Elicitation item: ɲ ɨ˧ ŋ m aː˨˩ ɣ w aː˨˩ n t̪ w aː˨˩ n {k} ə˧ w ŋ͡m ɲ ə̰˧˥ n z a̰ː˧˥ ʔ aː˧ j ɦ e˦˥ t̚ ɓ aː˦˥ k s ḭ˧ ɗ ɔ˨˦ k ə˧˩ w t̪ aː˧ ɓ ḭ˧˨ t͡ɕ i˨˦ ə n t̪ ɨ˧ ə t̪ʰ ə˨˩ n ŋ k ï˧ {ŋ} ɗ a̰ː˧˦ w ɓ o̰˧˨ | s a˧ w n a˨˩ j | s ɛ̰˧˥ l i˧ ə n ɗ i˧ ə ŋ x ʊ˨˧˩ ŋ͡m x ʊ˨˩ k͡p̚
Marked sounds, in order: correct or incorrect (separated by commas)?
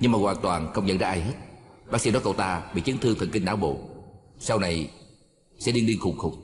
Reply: incorrect, correct